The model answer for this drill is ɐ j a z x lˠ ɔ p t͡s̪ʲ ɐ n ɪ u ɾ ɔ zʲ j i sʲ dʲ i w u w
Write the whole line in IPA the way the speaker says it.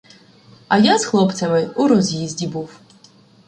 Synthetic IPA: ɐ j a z x lˠ ɔ p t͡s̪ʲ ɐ m ɪ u ɾ ɔ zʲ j i zʲ dʲ i b u w